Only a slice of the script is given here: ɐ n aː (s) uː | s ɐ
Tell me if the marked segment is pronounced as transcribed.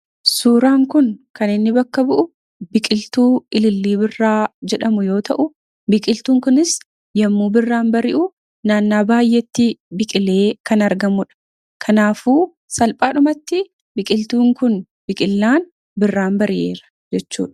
no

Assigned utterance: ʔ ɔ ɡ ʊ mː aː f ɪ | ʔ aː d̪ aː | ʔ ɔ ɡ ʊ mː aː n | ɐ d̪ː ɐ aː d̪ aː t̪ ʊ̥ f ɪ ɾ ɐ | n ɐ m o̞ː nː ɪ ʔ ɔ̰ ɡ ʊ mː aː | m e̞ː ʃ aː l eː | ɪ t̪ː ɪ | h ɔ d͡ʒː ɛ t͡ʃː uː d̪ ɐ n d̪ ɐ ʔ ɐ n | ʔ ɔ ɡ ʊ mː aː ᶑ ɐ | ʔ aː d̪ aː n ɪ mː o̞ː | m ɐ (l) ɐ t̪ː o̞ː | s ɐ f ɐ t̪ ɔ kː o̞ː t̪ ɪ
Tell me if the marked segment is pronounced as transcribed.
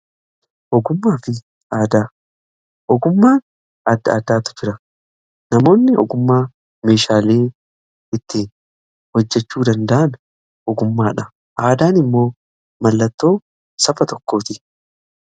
no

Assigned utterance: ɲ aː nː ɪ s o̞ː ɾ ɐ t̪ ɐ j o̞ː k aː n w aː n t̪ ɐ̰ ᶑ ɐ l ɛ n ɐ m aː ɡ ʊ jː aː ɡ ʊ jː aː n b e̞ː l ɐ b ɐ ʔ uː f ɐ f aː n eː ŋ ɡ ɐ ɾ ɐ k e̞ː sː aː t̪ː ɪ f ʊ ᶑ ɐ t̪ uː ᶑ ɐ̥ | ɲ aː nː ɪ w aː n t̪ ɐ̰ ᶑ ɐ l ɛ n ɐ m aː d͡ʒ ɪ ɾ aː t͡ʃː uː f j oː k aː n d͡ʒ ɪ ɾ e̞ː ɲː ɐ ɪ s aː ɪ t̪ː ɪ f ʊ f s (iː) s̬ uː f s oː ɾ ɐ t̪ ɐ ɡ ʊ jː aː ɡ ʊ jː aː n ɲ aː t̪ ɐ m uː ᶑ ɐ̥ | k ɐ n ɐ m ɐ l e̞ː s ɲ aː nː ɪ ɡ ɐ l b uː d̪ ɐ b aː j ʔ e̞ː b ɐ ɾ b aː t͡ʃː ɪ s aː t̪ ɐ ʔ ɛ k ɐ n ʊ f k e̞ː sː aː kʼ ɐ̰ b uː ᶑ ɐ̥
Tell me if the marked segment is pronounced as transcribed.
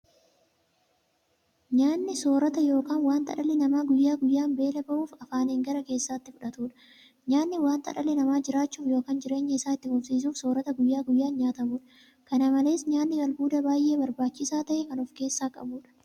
yes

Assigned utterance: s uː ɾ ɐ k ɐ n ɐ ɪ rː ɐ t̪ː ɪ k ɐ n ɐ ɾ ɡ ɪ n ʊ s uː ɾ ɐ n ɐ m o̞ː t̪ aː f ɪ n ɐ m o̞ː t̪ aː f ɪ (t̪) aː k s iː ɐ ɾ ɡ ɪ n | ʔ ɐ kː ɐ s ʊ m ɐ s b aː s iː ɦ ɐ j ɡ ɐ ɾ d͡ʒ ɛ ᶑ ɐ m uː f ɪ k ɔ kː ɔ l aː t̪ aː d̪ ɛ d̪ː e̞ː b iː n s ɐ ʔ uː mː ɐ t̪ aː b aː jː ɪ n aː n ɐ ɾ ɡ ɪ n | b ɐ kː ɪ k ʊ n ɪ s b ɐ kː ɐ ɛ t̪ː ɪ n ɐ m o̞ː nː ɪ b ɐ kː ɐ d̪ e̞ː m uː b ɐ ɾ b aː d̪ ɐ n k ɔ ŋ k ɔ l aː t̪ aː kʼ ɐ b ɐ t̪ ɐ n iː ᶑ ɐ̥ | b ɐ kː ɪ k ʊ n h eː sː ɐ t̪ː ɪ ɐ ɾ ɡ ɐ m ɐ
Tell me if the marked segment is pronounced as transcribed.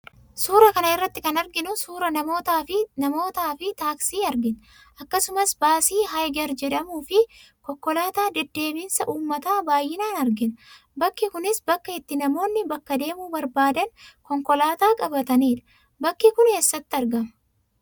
yes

